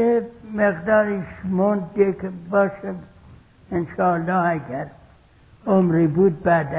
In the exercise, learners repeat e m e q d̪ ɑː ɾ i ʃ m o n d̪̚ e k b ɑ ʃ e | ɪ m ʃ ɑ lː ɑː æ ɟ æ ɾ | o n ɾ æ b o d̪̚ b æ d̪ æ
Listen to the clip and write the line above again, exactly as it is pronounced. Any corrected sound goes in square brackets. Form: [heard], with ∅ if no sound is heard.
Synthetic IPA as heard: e m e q d̪ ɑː ɾ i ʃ m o n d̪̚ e k b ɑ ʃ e | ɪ [n] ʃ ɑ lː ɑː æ [ɡ] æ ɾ | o [m] ɾ [i] b [u] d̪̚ b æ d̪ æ